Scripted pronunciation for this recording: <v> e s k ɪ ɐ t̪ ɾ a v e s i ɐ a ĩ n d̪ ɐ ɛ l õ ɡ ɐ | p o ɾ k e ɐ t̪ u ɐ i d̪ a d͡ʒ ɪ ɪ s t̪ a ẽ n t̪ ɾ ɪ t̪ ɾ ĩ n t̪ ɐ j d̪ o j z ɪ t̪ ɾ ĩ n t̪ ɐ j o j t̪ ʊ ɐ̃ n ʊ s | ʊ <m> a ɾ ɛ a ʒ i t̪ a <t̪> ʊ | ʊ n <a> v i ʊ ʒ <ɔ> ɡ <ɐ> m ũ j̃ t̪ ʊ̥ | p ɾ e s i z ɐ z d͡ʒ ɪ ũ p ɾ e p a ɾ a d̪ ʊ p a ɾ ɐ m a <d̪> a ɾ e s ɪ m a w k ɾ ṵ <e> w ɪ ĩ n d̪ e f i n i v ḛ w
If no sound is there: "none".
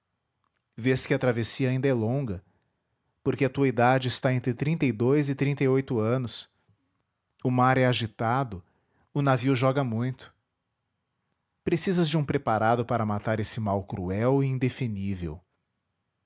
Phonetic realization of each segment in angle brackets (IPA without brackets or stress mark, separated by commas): v, m, d̪, a, ɔ, ɐ, t̪, ɛ